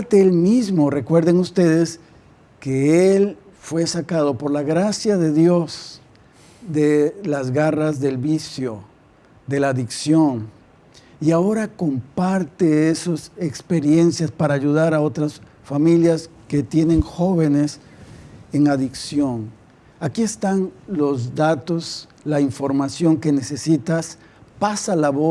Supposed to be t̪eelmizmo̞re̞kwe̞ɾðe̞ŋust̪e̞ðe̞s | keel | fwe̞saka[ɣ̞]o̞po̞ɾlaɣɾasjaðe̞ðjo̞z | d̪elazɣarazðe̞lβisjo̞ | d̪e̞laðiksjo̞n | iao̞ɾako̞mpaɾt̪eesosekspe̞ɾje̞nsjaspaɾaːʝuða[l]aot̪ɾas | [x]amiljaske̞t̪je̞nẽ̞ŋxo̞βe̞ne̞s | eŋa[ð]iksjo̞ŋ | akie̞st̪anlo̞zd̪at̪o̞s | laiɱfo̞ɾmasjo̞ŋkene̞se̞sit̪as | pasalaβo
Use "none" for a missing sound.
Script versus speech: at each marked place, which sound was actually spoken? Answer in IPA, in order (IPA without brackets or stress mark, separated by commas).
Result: ð̞, ɾ, f, ð